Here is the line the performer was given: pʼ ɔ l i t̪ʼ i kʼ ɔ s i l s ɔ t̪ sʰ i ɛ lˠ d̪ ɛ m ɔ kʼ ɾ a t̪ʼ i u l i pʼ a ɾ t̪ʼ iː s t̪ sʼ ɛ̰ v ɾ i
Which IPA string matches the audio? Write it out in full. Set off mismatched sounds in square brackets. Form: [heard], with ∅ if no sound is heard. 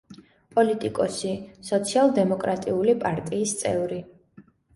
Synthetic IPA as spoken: pʼ ɔ l i t̪ʼ i kʼ ɔ s i [∅] s ɔ t̪ sʰ i [a] lˠ d̪ ɛ m ɔ kʼ ɾ a t̪ʼ i u l i pʼ a ɾ t̪ʼ iː s t̪ sʼ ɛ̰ v ɾ i